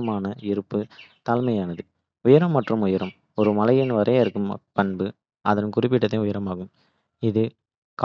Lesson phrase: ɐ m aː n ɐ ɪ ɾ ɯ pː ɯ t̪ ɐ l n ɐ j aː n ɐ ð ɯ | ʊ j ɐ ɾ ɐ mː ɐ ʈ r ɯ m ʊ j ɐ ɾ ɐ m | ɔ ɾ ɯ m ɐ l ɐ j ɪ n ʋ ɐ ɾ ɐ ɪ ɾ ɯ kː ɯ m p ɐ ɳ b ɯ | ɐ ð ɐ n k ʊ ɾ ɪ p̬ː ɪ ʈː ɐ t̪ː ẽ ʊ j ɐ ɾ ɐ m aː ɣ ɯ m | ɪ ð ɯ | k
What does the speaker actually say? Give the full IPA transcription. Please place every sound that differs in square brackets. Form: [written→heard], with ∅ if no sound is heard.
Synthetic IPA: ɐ m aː n ɐ ɪ ɾ ɯ pː ɯ t̪ ɐ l [n→m] ɐ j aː n ɐ ð ɯ | ʊ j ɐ ɾ ɐ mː ɐ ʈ r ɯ m ʊ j ɐ ɾ ɐ m | ɔ ɾ ɯ m ɐ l ɐ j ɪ n ʋ ɐ ɾ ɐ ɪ ɾ ɯ kː ɯ m p ɐ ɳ b ɯ | ɐ ð ɐ n k ʊ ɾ ɪ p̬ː ɪ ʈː ɐ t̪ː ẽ ʊ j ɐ ɾ ɐ m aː ɣ ɯ m | ɪ ð ɯ | k